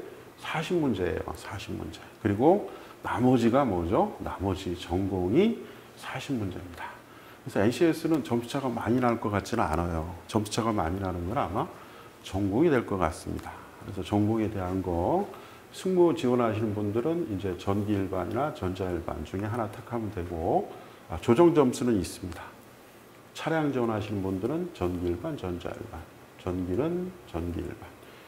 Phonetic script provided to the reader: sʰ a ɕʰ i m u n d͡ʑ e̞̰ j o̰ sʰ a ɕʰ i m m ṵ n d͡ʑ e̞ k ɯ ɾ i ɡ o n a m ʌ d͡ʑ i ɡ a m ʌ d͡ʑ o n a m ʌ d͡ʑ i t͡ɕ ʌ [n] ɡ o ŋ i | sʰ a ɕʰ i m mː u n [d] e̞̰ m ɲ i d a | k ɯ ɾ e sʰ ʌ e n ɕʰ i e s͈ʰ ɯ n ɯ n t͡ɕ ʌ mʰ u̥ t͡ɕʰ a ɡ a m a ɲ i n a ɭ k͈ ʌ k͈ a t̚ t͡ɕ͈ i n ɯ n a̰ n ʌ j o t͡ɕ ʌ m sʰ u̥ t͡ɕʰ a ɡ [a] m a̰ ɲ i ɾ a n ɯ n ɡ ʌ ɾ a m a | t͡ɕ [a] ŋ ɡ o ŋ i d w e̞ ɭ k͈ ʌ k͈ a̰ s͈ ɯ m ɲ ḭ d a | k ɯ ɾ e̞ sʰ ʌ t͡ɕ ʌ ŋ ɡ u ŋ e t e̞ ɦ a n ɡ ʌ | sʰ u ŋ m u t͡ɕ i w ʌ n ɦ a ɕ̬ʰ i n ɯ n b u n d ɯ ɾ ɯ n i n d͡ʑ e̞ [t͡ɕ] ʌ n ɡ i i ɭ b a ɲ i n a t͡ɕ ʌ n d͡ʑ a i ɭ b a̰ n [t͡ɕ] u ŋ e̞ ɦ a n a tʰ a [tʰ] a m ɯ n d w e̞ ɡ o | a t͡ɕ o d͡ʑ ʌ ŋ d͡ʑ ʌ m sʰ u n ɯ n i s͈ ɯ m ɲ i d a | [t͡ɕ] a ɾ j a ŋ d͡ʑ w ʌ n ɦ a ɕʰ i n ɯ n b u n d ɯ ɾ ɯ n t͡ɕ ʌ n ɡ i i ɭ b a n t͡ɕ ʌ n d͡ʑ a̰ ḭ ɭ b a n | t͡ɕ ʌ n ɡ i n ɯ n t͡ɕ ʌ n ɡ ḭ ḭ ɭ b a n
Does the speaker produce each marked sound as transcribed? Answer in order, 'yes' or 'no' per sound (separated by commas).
no, no, yes, no, yes, yes, no, no